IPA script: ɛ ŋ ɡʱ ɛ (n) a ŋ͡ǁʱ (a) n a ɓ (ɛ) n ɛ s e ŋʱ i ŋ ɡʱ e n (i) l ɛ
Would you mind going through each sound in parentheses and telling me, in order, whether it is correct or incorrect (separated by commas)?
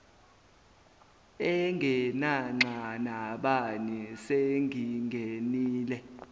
correct, correct, incorrect, incorrect